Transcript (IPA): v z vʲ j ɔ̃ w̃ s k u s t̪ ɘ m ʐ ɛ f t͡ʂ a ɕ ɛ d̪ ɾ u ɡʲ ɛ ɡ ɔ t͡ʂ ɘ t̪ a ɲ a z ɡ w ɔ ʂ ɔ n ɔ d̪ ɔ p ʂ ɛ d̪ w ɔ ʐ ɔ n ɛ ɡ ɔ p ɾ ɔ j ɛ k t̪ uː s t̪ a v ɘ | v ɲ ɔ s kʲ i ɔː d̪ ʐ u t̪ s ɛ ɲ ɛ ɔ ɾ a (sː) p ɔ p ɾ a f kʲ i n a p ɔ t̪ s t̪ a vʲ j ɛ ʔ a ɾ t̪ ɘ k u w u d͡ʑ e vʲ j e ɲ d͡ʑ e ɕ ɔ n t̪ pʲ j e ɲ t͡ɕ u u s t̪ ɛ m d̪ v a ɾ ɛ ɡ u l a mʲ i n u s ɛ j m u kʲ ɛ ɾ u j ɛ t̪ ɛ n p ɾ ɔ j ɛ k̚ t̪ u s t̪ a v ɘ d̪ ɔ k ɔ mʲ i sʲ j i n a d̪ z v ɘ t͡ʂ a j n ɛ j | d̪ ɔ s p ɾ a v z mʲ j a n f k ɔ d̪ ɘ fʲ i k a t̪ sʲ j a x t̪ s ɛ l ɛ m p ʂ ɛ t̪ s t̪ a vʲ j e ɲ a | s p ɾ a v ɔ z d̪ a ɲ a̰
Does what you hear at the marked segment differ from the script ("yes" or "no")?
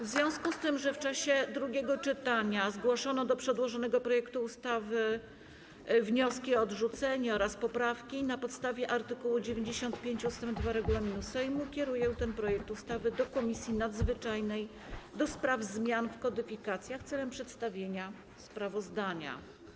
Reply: yes